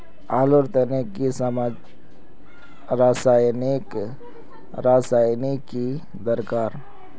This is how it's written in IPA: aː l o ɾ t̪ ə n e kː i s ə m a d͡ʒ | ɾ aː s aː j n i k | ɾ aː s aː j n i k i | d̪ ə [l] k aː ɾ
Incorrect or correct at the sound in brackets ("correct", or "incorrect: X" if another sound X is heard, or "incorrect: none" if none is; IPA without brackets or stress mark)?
incorrect: ɾ